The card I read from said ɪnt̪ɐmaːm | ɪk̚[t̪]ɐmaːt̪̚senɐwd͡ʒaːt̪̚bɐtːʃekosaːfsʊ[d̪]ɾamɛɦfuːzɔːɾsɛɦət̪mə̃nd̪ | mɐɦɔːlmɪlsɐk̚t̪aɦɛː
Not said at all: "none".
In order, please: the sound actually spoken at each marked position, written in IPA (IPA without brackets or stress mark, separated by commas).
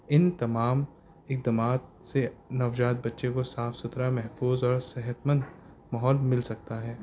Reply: d̪, t̪